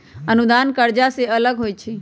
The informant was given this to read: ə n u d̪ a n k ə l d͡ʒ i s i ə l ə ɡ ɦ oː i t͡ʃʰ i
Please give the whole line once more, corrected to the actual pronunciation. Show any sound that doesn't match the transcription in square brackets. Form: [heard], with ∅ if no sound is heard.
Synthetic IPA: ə n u d̪ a n k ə [ɾ] d͡ʒ [a] s [e] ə l ə ɡ ɦ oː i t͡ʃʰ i